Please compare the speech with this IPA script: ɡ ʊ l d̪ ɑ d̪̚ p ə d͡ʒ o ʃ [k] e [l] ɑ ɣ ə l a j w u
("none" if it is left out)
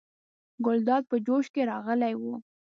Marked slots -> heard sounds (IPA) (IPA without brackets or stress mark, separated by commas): k, ɾ